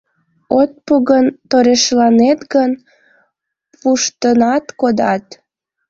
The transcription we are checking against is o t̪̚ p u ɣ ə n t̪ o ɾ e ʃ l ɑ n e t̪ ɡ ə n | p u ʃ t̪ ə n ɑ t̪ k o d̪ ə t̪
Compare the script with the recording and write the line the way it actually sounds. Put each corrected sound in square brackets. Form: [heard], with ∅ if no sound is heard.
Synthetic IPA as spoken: o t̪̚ p u ɣ ə n t̪ o ɾ e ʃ l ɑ n e t̪ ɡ ə n | p u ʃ t̪ ə n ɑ t̪ k o d̪ [ɑ] t̪